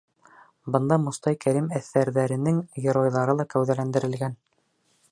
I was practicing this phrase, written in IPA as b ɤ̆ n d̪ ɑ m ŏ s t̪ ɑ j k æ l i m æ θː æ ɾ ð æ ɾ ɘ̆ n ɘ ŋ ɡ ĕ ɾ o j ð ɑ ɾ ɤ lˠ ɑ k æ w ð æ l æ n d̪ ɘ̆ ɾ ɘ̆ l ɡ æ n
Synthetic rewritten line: b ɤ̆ n d̪ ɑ m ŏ s t̪ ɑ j k æ ɾ i m æ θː æ ɾ ð æ ɾ ɘ̆ n ɘ ŋ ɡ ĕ ɾ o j ð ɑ ɾ ɤ lˠ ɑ k æ w ð æ l æ n d̪ ɘ̆ ɾ ɘ̆ l ɡ æ n